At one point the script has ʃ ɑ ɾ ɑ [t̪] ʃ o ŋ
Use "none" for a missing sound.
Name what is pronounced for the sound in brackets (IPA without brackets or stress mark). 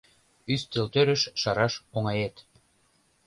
none